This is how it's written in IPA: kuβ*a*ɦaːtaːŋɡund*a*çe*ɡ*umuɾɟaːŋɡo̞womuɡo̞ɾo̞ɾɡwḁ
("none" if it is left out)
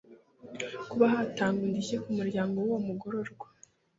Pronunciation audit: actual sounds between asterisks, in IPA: a, i, k

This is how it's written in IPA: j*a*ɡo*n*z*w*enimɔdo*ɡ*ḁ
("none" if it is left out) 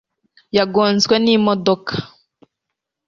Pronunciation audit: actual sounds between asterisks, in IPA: a, n, w, k

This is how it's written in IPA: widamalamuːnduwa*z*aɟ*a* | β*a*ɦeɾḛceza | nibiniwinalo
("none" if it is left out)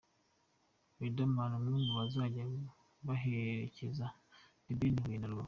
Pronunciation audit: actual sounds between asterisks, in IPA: z, a, a

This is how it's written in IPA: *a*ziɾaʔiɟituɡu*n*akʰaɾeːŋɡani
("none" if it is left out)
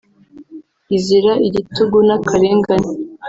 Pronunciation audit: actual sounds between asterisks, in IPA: i, n

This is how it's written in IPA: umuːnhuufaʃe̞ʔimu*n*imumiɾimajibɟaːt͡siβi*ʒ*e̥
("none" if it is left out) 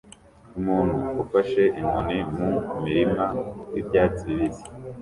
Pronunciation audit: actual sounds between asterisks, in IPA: n, z

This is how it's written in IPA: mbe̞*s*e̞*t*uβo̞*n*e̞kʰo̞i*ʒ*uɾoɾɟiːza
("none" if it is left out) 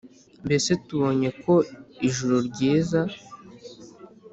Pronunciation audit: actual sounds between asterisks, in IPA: s, t, ɲ, ʒ

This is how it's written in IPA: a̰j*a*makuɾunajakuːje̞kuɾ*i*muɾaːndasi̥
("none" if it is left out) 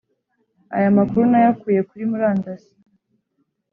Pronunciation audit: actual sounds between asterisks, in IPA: a, i

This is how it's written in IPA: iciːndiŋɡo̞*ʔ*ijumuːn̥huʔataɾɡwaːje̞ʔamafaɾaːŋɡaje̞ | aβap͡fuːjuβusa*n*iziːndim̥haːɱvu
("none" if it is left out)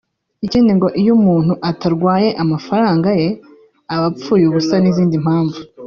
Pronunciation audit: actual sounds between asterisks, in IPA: ʔ, n

